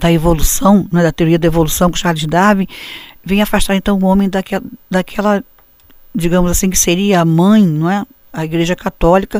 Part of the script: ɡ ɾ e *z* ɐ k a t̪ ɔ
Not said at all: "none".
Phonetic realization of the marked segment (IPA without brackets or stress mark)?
ʒ